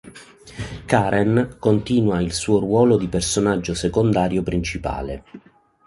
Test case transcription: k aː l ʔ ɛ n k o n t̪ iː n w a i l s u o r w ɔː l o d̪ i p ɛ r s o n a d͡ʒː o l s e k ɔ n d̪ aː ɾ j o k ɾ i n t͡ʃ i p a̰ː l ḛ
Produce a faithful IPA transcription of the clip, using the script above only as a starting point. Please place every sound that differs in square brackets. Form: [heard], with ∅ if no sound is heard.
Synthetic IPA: k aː [ɾ] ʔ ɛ n k o n t̪ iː n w a i l s [uː] o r w ɔː l o d̪ i p [e] r s o n a d͡ʒː o [∅] s e k [o] n d̪ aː ɾ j o [p] ɾ i n t͡ʃ i p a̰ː l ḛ